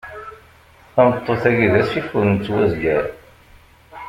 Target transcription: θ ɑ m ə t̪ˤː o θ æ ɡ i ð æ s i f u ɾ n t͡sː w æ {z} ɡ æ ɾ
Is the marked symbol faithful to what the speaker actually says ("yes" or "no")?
yes